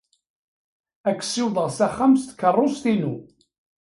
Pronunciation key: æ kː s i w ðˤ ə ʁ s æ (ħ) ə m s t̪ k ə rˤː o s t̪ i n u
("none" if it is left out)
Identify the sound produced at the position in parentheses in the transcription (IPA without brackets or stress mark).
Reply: χ